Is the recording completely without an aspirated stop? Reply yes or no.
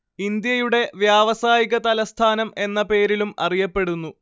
no